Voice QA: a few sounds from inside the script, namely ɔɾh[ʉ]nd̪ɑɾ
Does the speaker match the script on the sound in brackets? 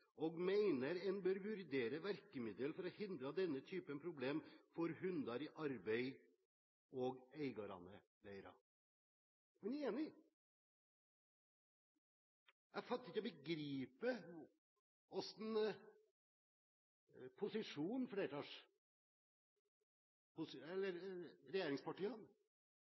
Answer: yes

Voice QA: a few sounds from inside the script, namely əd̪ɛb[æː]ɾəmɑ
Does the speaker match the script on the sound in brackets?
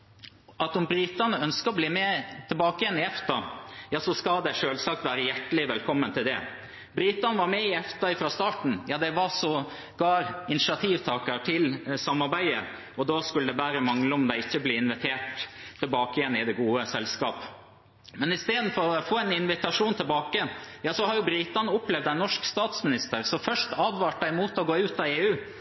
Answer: yes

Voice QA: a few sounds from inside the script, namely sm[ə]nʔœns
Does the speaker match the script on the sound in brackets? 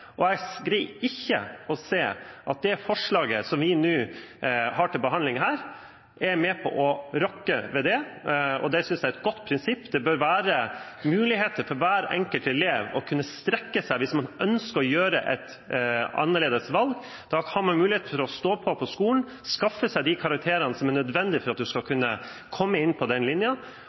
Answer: no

